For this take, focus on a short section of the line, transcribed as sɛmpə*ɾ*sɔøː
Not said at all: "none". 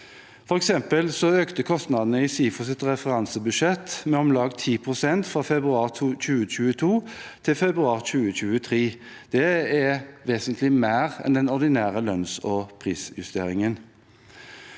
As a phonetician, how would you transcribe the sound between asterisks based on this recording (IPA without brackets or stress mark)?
l